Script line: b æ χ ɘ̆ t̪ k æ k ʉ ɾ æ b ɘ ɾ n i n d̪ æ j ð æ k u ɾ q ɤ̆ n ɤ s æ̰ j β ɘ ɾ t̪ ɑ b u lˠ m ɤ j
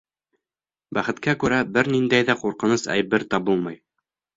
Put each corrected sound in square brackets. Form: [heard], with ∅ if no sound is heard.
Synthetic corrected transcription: b æ χ ɘ̆ t̪ k æ k ʉ ɾ æ b ɘ ɾ n i n d̪ æ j ð æ [q] u ɾ q ɤ̆ n ɤ s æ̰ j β ɘ ɾ t̪ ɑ b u lˠ m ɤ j